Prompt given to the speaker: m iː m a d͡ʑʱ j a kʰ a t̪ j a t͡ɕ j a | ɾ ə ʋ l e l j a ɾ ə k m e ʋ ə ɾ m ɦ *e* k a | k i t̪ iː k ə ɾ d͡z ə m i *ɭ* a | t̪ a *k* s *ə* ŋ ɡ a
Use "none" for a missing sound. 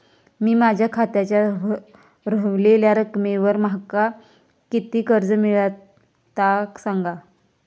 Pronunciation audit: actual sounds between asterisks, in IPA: a, ɭ, k, a

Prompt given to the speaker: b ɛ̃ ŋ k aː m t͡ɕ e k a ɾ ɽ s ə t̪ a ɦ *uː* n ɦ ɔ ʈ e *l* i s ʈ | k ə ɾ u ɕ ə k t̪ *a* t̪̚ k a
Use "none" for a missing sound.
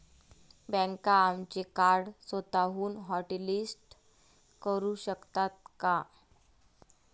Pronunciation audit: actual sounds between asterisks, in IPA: uː, l, a

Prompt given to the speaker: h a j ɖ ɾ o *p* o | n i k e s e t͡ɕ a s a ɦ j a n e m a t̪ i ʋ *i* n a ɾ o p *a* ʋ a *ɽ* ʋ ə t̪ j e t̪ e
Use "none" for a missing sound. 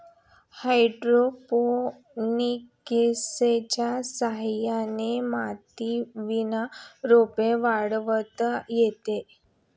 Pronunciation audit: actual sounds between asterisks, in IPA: p, i, e, ɽ

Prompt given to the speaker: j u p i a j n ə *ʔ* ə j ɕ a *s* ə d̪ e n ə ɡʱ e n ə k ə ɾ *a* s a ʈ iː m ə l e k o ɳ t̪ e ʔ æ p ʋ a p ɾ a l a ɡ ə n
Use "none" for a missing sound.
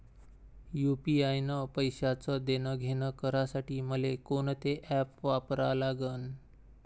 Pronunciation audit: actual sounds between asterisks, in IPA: p, t͡s, a

